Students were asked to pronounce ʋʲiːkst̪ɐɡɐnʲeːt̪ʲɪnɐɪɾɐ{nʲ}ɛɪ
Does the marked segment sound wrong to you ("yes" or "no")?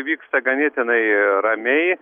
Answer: yes